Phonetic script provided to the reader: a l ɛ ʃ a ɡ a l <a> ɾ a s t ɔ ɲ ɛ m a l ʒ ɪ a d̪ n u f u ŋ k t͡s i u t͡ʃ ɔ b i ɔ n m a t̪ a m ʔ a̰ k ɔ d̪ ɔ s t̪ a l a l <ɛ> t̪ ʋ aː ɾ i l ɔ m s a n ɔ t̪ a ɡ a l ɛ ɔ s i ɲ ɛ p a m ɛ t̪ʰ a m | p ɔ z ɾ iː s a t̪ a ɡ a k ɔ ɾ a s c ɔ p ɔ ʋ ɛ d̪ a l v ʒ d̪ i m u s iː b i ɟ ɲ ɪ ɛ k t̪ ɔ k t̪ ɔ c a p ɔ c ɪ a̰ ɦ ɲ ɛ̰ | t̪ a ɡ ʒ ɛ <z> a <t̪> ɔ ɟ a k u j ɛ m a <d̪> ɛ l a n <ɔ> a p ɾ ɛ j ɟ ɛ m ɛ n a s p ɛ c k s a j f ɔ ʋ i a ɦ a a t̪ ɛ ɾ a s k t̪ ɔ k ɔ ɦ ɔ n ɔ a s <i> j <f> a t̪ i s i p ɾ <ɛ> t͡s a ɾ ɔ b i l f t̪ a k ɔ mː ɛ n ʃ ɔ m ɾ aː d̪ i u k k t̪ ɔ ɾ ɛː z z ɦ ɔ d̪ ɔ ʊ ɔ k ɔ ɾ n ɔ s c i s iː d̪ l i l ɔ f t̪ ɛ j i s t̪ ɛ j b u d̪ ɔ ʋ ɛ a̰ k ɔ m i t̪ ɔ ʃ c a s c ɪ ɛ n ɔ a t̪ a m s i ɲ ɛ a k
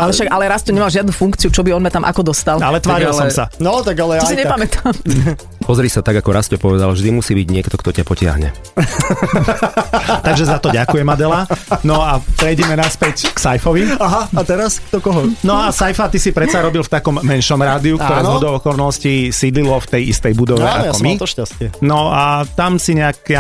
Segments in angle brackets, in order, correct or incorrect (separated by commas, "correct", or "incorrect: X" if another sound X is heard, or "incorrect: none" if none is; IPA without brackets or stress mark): incorrect: ɛ, correct, correct, correct, correct, correct, incorrect: a, correct, correct